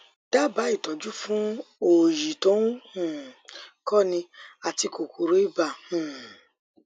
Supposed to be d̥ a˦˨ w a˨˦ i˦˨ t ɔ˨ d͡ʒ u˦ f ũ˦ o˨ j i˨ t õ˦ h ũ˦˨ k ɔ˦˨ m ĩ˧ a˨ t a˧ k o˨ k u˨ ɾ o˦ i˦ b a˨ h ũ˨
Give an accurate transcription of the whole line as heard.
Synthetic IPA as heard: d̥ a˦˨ b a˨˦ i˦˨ t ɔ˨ d͡ʒ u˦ f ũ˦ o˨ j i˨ t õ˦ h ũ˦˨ k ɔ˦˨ n ĩ˧ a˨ t i˧ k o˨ k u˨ ɾ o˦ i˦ b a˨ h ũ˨